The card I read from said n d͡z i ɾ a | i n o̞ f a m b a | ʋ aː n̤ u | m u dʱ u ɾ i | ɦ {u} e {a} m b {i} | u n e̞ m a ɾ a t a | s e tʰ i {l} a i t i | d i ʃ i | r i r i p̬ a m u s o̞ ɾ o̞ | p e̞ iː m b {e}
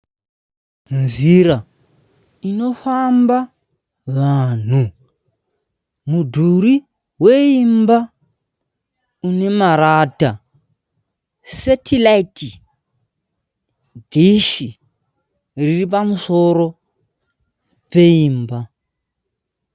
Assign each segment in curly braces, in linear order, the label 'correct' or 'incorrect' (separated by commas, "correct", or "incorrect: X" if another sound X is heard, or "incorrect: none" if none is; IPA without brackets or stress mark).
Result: incorrect: w, incorrect: i, incorrect: a, correct, incorrect: a